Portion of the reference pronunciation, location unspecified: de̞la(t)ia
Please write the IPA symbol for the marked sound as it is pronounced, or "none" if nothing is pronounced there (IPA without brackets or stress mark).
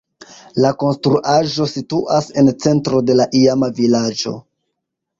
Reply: ʔ